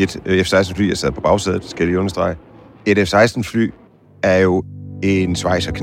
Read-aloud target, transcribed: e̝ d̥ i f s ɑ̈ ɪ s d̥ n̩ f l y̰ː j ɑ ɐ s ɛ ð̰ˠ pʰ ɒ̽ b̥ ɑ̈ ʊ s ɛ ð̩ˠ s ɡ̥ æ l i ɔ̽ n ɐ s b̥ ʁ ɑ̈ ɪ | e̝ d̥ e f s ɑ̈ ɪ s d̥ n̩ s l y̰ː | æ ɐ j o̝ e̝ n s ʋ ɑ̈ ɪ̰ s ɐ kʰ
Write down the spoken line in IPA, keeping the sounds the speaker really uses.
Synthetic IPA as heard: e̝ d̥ e f s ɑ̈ ɪ s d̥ n̩ f l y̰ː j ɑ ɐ s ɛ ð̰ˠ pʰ ɒ̽ b̥ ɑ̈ ʊ s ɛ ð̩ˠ s ɡ̥ æ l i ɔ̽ n ɐ s d̥ ʁ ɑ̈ ɪ | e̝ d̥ e f s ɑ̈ ɪ s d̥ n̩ f l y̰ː | æ ɐ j o̝ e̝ n s ʋ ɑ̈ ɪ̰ s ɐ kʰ